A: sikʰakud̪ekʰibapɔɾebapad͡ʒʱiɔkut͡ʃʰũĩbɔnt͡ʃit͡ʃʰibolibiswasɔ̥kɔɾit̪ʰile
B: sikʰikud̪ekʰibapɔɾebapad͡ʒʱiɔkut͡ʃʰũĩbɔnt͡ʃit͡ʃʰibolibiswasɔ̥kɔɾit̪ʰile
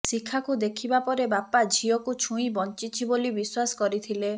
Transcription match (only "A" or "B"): A